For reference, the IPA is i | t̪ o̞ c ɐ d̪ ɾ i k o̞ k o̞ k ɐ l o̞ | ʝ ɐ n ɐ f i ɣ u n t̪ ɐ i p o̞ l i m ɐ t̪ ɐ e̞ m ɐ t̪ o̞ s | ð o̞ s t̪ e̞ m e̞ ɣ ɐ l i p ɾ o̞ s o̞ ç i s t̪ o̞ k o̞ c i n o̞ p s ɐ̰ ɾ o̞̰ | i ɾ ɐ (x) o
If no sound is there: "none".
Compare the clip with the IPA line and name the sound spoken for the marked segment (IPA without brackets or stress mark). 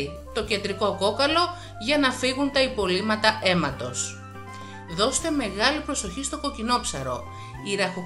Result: x